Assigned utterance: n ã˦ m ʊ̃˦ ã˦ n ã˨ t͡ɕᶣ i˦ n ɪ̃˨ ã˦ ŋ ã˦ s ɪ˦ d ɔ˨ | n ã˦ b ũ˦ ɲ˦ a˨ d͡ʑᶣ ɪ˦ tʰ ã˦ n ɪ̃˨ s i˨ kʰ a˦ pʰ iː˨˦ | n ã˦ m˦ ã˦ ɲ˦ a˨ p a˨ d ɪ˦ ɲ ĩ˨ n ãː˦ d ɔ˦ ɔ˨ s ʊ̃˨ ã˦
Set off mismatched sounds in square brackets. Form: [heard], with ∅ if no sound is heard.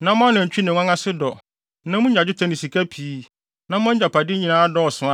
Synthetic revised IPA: n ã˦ m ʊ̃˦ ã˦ n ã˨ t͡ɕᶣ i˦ n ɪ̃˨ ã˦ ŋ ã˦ s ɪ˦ d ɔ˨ | n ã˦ [m] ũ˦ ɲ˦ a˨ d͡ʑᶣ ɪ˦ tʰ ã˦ n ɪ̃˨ s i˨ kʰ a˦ pʰ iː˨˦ | n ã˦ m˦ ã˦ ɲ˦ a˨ p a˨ d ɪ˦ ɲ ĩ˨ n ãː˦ d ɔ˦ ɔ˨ s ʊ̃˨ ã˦